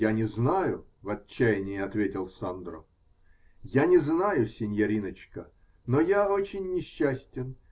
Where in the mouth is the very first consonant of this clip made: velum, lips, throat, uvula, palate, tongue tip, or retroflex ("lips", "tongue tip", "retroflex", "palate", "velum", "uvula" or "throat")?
tongue tip